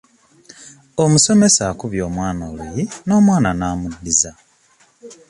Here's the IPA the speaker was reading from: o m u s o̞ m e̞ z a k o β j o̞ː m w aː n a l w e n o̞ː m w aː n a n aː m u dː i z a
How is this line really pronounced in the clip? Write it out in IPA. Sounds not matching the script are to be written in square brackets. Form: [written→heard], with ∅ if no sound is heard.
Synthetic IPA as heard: o m u s o̞ m e̞ [z→s] a k [o→u] β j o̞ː m w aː n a l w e n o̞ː m w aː n a n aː m u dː i z a